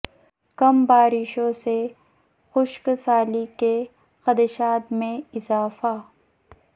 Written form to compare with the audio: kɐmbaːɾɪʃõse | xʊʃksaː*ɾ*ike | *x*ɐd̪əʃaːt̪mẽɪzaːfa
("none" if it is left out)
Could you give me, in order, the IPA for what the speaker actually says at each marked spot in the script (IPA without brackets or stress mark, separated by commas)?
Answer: l, x